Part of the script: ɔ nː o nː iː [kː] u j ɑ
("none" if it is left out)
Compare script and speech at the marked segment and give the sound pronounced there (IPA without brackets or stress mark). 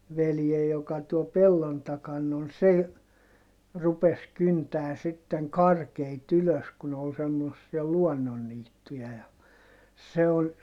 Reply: tː